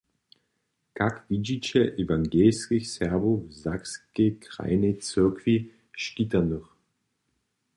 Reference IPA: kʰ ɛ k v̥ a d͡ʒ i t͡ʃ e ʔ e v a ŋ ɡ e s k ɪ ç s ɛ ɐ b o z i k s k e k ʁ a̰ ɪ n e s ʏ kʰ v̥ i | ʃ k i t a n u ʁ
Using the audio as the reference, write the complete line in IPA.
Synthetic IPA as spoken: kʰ a k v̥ i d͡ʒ i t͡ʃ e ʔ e v a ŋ ɡ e s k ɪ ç s ɛ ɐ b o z a k s k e k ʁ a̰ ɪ n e t͡s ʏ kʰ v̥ i | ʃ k i t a n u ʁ